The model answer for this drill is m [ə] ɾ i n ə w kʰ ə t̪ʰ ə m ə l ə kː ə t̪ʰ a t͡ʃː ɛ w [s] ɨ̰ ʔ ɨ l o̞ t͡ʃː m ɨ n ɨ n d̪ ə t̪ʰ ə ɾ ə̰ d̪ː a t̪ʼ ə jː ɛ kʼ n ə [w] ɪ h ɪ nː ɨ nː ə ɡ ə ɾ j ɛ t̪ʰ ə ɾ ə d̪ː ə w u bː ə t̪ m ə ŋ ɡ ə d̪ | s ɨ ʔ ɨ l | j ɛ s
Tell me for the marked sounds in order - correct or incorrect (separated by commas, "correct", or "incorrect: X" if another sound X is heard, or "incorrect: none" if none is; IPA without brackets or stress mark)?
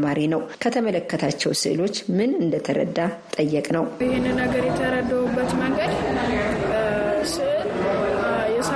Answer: incorrect: a, correct, correct